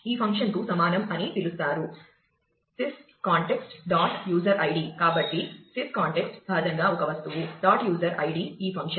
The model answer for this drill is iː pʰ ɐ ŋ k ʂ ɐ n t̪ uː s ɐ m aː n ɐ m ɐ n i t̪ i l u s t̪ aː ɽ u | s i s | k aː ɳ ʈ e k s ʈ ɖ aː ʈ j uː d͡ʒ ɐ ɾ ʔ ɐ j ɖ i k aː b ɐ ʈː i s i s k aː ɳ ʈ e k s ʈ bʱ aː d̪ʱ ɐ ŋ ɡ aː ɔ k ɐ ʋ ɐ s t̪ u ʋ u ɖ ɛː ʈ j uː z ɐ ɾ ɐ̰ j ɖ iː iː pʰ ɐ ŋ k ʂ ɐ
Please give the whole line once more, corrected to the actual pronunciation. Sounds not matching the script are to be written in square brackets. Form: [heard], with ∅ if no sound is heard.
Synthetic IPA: iː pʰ ɐ ŋ k ʂ ɐ n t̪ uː s ɐ m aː n ɐ m ɐ n i t̪ i l u s t̪ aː [ɾ] u | s i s | k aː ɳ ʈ e k s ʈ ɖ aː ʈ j uː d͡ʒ ɐ ɾ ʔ ɐ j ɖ i k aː b ɐ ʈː i s i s k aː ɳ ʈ e k s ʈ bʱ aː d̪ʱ ɐ ŋ ɡ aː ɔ k ɐ ʋ ɐ s t̪ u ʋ u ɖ [aː] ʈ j uː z ɐ ɾ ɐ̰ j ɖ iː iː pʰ ɐ ŋ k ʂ ɐ